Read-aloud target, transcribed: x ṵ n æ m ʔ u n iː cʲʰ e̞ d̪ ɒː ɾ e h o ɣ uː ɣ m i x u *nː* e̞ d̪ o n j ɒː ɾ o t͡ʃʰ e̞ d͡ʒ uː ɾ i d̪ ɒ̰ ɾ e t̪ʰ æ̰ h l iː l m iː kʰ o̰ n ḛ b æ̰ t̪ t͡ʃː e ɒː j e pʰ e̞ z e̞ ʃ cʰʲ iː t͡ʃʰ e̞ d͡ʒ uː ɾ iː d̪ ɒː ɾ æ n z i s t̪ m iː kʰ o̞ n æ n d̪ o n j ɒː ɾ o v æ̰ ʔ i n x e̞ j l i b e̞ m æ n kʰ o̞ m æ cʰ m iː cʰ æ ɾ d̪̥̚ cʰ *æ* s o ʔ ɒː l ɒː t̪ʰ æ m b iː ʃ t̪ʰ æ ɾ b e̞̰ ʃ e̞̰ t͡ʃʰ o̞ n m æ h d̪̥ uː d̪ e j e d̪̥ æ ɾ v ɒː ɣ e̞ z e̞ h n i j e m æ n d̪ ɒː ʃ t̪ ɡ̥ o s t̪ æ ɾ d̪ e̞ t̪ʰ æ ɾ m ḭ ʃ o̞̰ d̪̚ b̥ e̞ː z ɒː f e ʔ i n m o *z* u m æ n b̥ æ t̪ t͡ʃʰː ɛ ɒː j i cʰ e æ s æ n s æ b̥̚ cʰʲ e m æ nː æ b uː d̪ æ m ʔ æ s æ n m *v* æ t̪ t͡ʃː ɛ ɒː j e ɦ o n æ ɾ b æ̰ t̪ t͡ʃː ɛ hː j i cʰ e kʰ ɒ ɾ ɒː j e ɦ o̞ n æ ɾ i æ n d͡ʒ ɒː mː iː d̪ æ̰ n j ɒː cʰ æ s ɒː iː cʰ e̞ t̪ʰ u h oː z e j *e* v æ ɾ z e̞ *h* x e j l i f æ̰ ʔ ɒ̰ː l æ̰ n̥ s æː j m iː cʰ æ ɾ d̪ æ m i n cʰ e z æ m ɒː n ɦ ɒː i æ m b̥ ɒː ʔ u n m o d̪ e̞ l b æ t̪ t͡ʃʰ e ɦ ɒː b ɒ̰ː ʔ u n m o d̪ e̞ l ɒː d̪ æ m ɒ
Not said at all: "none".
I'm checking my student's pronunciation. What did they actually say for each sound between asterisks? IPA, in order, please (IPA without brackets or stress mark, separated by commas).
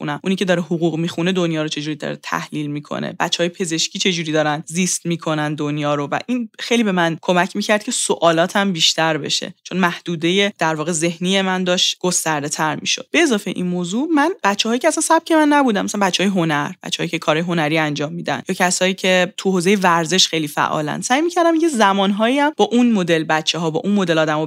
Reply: n, e, z, b, e, ʃ